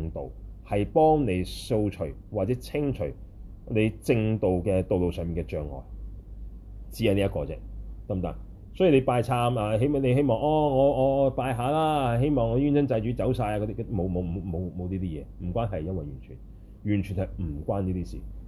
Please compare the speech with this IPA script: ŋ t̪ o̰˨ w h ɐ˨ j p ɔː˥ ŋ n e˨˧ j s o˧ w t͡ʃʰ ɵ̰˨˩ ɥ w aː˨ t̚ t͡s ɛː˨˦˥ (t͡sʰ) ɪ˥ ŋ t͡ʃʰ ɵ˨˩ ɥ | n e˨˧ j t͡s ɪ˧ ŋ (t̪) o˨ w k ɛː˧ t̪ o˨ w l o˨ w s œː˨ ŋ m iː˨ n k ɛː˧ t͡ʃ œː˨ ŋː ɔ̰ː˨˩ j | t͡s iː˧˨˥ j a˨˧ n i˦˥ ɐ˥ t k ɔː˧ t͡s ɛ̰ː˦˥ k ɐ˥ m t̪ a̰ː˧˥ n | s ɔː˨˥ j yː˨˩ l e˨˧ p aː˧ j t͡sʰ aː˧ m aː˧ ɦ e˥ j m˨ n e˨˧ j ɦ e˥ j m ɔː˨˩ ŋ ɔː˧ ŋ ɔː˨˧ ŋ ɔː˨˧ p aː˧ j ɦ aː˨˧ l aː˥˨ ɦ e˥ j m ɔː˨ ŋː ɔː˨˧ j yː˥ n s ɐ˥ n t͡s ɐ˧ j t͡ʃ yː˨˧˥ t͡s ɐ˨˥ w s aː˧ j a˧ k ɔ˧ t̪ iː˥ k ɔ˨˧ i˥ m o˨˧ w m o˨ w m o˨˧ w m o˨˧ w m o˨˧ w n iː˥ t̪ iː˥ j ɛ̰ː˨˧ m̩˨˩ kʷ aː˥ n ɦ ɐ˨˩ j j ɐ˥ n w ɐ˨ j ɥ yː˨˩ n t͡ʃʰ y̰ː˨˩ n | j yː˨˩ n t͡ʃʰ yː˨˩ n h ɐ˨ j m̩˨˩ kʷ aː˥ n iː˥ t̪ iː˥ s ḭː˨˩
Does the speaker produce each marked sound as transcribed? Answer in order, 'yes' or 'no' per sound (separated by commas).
yes, yes